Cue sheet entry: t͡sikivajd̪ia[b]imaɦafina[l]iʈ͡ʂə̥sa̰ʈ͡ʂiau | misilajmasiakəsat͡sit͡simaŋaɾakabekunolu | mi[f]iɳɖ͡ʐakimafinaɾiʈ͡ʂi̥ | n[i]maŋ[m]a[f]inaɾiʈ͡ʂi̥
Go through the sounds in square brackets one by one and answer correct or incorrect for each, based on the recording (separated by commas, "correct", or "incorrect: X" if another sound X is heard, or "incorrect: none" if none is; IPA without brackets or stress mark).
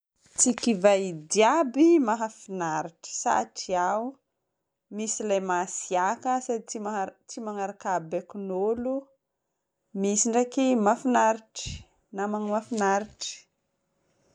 correct, incorrect: ɾ, incorrect: s, incorrect: a, correct, correct